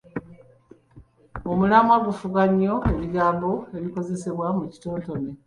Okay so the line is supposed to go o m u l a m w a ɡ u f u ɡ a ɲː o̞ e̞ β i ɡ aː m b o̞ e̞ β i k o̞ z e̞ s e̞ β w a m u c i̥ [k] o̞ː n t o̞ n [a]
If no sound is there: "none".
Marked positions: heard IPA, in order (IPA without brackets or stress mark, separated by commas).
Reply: t, e